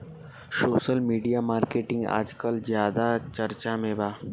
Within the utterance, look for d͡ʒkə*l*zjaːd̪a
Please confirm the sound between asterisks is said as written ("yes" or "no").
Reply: yes